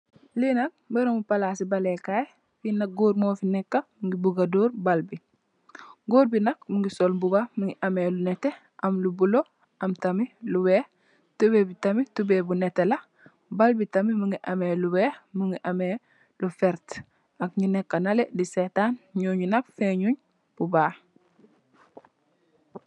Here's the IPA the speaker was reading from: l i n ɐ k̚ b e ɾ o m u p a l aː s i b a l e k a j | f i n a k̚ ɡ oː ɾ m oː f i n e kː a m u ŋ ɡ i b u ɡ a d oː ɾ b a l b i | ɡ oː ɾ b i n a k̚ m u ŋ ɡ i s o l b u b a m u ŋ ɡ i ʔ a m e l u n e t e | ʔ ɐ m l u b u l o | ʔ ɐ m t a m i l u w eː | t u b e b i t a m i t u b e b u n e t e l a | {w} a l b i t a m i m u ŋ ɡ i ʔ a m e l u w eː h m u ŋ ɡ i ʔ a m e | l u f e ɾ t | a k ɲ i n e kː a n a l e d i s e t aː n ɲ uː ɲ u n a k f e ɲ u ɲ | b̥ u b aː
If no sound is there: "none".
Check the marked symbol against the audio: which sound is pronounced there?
b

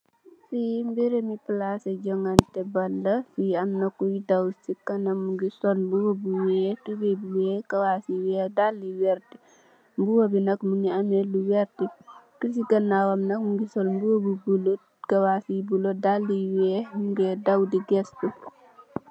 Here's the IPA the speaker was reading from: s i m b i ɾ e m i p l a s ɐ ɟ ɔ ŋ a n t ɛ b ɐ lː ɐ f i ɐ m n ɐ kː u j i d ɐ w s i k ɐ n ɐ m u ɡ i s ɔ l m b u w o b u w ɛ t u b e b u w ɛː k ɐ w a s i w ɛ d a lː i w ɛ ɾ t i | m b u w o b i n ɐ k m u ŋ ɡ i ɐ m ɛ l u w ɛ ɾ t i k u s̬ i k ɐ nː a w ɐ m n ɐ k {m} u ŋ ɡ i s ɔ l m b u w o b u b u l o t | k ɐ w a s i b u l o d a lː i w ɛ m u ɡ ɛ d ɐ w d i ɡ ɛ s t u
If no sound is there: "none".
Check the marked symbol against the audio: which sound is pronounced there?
m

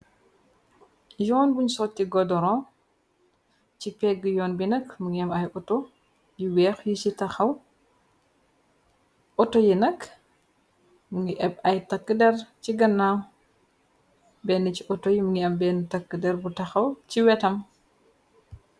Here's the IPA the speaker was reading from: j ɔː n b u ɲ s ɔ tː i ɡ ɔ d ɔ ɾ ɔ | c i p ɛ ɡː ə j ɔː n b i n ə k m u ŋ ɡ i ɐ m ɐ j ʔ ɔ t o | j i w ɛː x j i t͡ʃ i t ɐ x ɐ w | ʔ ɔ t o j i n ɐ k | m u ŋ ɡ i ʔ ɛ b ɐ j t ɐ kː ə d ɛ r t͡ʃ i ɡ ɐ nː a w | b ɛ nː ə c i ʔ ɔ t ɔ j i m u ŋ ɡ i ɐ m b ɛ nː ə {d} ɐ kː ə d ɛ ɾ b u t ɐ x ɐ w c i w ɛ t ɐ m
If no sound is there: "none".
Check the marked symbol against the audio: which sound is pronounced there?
t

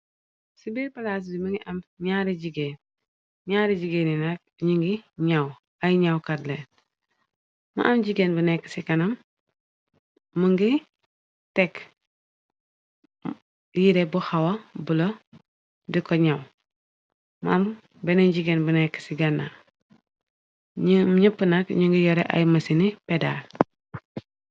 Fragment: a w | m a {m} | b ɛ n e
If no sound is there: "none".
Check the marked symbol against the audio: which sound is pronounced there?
m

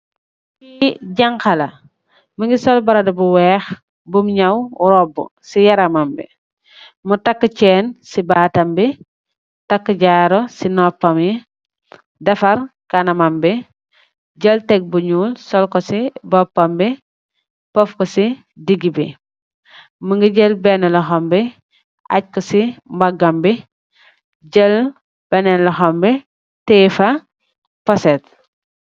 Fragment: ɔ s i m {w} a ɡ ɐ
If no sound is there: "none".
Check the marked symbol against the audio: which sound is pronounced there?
b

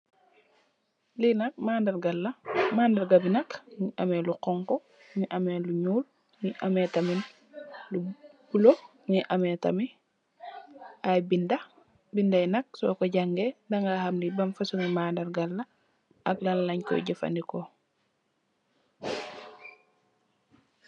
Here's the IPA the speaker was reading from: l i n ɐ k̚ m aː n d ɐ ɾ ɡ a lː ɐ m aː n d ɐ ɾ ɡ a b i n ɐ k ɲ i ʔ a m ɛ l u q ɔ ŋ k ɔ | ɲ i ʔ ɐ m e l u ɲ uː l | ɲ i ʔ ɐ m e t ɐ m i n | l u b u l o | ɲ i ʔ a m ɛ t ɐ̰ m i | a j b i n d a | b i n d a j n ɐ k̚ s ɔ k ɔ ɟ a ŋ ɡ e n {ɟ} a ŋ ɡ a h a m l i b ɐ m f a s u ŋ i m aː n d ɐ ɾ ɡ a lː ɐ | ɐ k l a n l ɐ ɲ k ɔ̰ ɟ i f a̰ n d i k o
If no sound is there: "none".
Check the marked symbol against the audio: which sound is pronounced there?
d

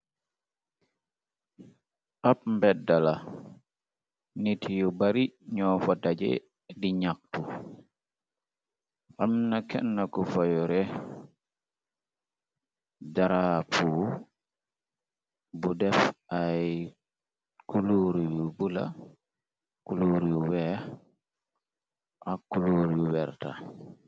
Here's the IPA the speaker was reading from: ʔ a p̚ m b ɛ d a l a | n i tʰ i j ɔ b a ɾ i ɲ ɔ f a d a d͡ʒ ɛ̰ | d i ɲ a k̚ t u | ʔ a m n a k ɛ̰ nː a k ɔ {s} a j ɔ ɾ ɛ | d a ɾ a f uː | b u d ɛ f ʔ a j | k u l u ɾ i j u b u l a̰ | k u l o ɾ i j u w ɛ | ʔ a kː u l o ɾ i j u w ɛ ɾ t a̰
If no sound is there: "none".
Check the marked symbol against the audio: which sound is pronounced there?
f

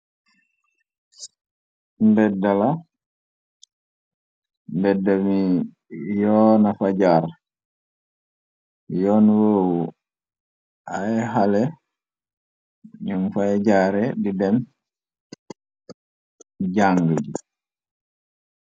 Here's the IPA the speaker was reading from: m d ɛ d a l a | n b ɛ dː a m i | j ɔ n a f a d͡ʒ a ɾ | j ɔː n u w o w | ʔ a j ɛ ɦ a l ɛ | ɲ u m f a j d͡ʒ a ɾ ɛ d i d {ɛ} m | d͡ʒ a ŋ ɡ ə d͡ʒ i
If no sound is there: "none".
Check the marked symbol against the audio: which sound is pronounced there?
ɛ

